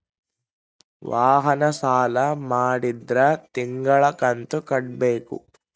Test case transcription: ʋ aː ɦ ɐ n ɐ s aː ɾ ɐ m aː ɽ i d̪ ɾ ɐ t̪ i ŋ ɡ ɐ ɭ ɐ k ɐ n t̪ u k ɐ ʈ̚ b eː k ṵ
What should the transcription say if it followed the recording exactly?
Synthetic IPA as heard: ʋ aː ɦ ɐ n ɐ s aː l ɐ m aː ɽ i d̪ ɾ ɐ t̪ i ŋ ɡ ɐ ɭ ɐ k ɐ n t̪ u k ɐ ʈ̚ b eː k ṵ